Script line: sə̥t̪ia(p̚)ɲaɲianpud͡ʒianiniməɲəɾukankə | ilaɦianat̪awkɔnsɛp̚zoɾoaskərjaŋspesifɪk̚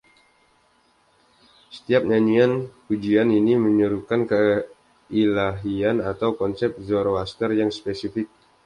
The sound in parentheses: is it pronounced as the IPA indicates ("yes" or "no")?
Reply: yes